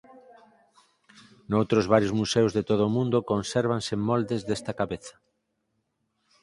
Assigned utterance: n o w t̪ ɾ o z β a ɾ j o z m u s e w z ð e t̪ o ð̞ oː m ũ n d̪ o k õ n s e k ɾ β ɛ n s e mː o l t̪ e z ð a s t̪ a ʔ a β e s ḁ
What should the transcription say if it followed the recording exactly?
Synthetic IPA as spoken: n o w t̪ ɾ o z β a ɾ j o z m u s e w z ð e t̪ o ð̞ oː m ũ n d̪ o k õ n s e ɾ β a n s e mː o l d̪ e z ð e s t̪ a k a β e θ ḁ